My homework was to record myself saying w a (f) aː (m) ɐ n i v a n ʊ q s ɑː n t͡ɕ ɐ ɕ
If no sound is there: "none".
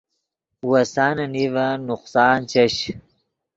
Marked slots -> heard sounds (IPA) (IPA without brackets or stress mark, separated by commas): s, n